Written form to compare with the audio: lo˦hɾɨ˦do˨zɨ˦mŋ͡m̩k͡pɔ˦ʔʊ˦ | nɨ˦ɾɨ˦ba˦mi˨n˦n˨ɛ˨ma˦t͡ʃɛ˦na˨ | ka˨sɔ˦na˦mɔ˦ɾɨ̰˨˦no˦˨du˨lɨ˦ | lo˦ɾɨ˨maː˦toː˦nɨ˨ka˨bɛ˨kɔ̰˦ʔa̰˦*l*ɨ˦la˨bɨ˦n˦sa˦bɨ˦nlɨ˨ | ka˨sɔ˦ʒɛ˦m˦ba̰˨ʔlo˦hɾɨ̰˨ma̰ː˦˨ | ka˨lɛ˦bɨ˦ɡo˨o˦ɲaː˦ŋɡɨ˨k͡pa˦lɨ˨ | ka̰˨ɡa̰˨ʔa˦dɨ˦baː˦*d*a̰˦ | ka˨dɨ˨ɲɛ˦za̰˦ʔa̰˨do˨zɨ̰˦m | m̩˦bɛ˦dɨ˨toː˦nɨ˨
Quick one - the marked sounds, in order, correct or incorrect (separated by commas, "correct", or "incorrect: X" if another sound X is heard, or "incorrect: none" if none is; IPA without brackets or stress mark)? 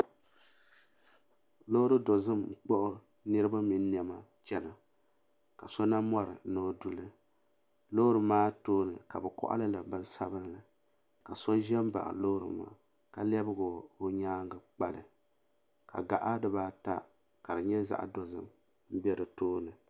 correct, incorrect: t